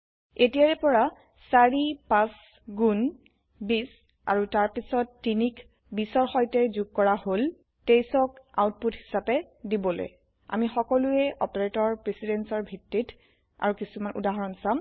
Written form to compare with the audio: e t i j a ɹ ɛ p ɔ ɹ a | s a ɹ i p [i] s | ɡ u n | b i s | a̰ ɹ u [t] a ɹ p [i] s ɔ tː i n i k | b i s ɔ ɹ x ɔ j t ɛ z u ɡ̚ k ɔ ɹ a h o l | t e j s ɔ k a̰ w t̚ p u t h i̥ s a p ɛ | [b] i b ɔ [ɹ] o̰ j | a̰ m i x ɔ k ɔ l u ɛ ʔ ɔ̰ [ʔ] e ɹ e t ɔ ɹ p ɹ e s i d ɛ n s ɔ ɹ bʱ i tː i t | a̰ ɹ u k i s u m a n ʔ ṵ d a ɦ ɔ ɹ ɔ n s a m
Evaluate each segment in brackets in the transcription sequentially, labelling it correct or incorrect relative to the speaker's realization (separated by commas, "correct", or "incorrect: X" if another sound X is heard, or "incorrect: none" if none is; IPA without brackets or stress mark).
incorrect: a, correct, correct, incorrect: d, incorrect: l, incorrect: p